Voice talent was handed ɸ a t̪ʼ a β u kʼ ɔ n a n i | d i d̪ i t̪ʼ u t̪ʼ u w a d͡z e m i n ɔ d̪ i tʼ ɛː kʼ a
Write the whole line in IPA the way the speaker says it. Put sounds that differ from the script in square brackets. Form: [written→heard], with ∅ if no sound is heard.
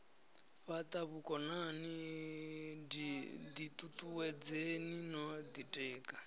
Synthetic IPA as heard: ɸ a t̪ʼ a β u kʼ ɔ n a n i | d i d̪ i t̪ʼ u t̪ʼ u w [a→ɛ] d͡z e [m→n] i n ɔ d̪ i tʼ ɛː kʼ a